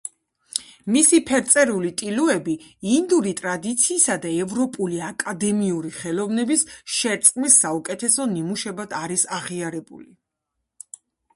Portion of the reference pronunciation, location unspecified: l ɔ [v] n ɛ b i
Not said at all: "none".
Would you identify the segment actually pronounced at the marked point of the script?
v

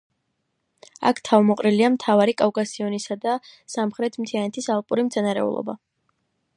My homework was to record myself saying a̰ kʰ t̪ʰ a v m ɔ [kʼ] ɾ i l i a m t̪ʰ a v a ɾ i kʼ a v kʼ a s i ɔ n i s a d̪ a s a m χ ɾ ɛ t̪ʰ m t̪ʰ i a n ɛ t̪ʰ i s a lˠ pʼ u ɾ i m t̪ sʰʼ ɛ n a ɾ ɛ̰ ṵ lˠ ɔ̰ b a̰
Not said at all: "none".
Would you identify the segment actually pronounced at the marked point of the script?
qʼ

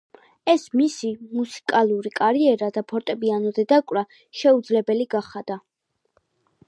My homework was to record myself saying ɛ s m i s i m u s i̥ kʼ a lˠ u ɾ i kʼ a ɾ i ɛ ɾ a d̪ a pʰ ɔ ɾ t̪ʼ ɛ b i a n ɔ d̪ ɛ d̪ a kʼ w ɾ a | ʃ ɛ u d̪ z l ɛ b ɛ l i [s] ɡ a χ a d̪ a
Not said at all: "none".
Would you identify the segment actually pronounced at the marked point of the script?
none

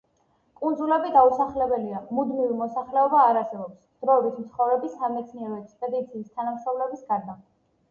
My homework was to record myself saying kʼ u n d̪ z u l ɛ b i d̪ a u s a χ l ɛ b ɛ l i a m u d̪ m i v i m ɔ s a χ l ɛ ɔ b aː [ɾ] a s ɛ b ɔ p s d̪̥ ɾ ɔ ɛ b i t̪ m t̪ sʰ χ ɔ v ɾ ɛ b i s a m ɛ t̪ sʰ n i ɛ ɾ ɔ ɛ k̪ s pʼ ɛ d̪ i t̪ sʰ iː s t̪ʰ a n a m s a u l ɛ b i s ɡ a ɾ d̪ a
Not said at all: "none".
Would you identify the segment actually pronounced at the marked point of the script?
ɾ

